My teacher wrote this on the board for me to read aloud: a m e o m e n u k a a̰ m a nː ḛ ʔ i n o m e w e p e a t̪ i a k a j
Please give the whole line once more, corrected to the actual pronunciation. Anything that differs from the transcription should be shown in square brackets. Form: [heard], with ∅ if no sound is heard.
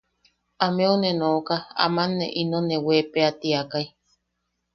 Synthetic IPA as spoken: a m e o [n] e n [o] k a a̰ m a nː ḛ ʔ i n o [n] e w e p e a t̪ i a k a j